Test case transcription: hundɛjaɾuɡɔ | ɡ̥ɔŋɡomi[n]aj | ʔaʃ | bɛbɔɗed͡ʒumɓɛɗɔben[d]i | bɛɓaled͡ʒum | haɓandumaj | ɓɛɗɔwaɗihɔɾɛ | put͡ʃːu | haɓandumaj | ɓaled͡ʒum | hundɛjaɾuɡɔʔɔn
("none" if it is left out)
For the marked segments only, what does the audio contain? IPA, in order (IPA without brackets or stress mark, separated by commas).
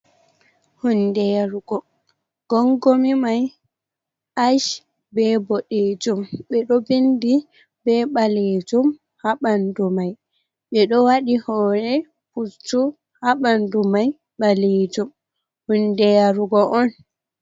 m, d